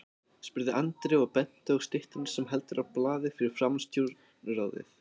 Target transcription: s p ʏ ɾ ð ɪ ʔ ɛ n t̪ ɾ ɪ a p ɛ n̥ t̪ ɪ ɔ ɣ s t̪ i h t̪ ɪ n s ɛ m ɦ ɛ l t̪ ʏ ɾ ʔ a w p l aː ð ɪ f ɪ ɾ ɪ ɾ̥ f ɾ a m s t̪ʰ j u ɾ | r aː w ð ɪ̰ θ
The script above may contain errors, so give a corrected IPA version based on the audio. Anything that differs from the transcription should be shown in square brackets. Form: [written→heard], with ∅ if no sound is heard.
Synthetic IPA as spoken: s p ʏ ɾ ð ɪ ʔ [ɛ→a] n t̪ ɾ ɪ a p ɛ n̥ t̪ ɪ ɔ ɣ s t̪ [i→ɪ] h t̪ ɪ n s ɛ m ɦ ɛ l t̪ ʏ ɾ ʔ a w p l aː ð ɪ f ɪ ɾ ɪ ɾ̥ f ɾ a m s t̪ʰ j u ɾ | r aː w ð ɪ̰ θ

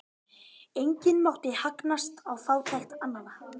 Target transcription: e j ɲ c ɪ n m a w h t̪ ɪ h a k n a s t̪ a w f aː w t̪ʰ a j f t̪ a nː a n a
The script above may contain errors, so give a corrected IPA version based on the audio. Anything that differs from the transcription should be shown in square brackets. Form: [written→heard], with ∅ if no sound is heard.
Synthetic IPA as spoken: e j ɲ c ɪ n m a w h t̪ ɪ h a k n a s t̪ a w f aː w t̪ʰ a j [f→x] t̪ a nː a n a

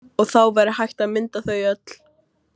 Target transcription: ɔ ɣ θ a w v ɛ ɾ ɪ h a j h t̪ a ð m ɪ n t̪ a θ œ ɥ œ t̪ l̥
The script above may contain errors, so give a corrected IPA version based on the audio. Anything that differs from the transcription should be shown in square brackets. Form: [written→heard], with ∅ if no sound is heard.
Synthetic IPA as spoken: ɔ ɣ θ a w v ɛ ɾ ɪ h a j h t̪ a ð m ɪ n t̪ a θ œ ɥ œ t̪ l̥

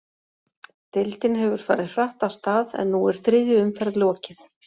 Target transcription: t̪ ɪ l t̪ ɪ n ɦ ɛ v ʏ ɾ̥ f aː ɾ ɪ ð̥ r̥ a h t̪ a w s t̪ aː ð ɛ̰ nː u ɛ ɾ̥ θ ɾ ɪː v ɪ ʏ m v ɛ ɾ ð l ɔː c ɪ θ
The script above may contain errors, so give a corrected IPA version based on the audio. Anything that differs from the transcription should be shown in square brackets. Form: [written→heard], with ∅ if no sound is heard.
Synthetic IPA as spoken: t̪ ɪ l t̪ ɪ n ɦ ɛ v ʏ ɾ̥ f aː ɾ ɪ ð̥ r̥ a h t̪ a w s t̪ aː ð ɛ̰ nː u ɛ ɾ̥ θ ɾ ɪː [v→ð] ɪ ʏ m [v→f] ɛ ɾ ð l ɔː c ɪ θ

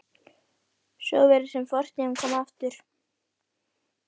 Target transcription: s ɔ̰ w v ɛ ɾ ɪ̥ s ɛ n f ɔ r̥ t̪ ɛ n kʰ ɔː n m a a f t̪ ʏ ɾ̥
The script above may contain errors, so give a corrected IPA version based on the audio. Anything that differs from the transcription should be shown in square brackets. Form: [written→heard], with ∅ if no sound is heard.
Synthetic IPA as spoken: s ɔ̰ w v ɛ ɾ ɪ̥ s ɛ [n→m] f ɔ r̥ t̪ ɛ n kʰ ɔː [n→∅] m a a f t̪ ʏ ɾ̥

